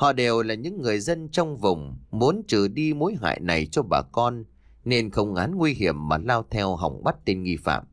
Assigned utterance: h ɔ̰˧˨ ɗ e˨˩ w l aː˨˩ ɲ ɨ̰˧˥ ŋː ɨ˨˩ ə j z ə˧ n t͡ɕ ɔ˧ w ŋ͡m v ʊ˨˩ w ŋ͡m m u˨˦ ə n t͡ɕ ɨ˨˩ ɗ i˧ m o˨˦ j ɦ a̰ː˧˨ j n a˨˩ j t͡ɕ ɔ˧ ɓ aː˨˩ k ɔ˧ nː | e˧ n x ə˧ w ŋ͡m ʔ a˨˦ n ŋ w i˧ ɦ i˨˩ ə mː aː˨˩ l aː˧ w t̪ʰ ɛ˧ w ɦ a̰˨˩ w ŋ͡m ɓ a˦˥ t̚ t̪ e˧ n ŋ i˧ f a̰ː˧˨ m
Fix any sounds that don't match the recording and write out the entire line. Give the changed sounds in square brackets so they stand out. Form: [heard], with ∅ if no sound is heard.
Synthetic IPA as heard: h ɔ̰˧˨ ɗ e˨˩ w l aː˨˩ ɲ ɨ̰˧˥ ŋː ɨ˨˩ ə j z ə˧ n t͡ɕ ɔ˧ w ŋ͡m v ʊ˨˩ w ŋ͡m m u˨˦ ə n t͡ɕ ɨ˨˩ ɗ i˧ m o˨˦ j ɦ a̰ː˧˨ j n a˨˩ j t͡ɕ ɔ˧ ɓ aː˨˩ k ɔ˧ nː | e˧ n x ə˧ w ŋ͡m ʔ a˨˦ n ŋ w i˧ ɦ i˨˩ ə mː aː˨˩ l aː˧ w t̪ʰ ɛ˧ w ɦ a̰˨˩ w ŋ͡m ɓ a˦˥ t̚ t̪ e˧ n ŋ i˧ f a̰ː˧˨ m